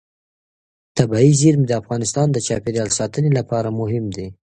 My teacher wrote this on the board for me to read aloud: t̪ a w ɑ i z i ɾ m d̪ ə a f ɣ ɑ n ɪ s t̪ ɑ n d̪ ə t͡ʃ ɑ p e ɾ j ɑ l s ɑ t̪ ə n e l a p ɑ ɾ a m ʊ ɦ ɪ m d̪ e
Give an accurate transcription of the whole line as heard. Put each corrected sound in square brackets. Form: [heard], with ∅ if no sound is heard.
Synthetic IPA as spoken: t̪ a [b] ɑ i z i ɾ m d̪ ə a f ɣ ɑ n ɪ s t̪ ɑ n d̪ ə t͡ʃ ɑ p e ɾ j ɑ l s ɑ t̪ ə n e l a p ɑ ɾ a m ʊ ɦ ɪ m d̪ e